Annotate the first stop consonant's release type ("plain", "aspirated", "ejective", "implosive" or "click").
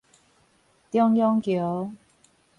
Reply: plain